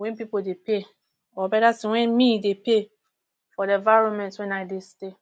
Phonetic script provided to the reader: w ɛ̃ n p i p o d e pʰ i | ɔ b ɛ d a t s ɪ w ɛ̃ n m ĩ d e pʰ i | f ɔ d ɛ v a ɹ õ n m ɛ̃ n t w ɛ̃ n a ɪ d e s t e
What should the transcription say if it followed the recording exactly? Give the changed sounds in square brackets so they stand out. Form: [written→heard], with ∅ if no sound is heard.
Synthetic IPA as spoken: w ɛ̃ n p i p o d e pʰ [i→e] | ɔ b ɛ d a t s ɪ w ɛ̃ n m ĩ d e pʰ [i→e] | f ɔ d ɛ v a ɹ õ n m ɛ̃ n t w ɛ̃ n a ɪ d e s t e